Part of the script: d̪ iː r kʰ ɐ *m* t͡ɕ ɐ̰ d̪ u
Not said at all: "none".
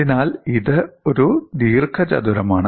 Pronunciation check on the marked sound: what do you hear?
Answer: none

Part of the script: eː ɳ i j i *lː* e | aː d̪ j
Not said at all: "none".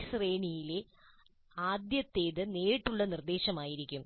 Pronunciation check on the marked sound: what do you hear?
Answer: l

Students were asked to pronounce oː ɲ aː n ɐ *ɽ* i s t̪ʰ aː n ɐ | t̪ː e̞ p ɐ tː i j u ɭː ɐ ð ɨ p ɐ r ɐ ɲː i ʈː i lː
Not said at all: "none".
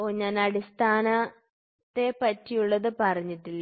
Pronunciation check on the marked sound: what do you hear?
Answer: ɽ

